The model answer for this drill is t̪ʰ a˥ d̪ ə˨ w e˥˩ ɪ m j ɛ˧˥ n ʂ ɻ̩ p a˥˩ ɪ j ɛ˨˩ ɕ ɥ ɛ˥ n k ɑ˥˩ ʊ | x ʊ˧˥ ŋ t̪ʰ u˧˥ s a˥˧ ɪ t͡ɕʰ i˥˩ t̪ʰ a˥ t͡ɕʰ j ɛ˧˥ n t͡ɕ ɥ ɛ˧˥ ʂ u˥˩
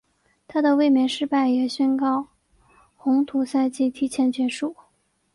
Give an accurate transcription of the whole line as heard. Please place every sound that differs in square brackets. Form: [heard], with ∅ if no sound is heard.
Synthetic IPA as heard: t̪ʰ a˥ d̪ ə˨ w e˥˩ ɪ m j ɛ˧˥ n ʂ ɻ̩ p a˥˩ ɪ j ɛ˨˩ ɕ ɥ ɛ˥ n k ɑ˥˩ ʊ | x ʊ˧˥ ŋ t̪ʰ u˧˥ s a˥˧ ɪ [t͡ɕ] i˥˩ t̪ʰ [i˥] t͡ɕʰ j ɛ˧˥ n t͡ɕ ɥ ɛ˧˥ ʂ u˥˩